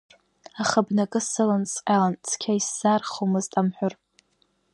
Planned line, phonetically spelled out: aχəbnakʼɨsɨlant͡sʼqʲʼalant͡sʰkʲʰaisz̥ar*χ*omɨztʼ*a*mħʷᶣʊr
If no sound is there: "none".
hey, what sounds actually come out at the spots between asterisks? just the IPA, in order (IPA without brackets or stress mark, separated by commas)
χ, a